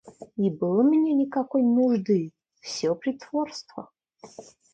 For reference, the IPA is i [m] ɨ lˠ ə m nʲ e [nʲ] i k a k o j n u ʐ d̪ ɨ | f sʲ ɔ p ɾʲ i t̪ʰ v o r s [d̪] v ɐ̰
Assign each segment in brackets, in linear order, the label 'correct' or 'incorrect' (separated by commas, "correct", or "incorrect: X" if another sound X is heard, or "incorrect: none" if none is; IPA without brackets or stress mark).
incorrect: b, correct, incorrect: t̪